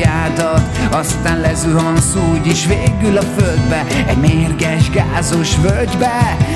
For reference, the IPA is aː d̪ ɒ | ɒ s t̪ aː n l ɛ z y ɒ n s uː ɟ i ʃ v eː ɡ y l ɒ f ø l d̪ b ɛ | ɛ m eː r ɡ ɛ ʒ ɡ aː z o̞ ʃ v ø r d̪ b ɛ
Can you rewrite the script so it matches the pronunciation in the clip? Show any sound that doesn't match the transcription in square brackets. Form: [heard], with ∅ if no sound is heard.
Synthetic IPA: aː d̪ ɒ | ɒ s t̪ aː n l ɛ z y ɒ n s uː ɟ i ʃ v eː ɡ y l ɒ f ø l d̪ b ɛ | ɛ m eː r ɡ ɛ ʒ ɡ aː z o̞ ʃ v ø [l] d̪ b ɛ